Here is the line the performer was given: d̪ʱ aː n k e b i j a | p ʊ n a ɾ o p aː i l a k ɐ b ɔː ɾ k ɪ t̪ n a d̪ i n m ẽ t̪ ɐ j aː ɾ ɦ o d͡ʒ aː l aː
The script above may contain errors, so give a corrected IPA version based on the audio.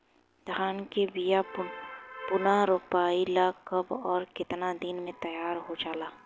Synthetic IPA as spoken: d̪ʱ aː n k e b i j a | p ʊ n a ɾ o p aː i l a k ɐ b ɔː ɾ k ɪ t̪ n a d̪ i n m ẽ t̪ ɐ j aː ɾ ɦ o d͡ʒ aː l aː